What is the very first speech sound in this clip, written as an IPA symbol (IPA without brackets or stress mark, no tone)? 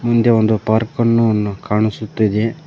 m